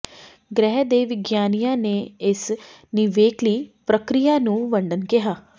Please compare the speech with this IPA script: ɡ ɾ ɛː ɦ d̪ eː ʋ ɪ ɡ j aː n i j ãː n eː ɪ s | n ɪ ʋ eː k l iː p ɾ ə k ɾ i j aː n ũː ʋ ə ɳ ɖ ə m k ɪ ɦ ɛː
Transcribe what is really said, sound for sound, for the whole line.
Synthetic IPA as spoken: ɡ ɾ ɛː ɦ d̪ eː ʋ ɪ ɡ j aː n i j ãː n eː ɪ s | n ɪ ʋ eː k l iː p ɾ ə k ɾ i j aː n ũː ʋ ə ɳ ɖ ə n k ɪ ɦ aː